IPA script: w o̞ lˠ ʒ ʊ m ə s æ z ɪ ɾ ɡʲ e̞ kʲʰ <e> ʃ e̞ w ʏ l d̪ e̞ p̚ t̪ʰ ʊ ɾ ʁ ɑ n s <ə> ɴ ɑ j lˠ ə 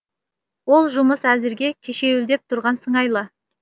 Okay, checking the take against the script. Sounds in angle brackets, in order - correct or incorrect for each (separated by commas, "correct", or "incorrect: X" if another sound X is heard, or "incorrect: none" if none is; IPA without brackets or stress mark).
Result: correct, correct